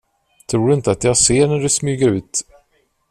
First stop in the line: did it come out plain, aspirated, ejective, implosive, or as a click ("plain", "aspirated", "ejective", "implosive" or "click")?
aspirated